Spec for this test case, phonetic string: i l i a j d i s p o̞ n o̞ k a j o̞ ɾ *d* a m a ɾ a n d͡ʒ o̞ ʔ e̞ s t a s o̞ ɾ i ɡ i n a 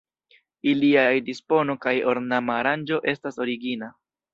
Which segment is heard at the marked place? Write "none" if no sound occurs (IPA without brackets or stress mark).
n